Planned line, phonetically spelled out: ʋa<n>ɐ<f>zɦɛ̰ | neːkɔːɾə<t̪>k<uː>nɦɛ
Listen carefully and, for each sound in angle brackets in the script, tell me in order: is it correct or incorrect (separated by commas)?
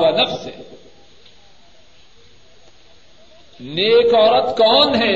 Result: correct, correct, correct, incorrect